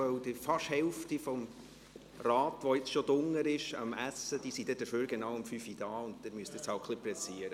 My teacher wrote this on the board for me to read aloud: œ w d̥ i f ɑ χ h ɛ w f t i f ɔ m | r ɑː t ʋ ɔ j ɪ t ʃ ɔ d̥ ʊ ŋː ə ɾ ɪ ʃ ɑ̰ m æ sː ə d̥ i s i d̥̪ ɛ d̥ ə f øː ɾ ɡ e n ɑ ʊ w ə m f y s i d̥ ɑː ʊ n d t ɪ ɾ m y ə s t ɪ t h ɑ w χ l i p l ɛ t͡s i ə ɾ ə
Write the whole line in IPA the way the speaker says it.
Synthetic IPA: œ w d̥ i f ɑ ʃ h ɛ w f t i f ɔ m | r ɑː t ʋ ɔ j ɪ t͡s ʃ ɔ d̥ ʊ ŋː ə ɾ ɪ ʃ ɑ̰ m æ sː ə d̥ i s i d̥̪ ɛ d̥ ə f øː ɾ ɡ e n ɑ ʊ w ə m f y f i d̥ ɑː ʊ n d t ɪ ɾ m y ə s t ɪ t͡s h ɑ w χ l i p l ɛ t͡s i ə ɾ ə